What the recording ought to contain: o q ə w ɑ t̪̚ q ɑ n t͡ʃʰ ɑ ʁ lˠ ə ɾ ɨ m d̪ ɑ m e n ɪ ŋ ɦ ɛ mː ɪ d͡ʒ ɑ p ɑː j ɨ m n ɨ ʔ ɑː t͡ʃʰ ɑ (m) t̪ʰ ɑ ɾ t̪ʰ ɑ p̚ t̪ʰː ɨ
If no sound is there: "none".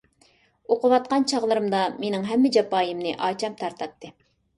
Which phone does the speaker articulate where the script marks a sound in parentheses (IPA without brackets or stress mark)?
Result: m